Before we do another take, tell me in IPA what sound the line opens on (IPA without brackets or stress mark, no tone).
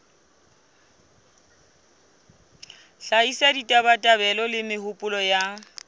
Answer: ɬ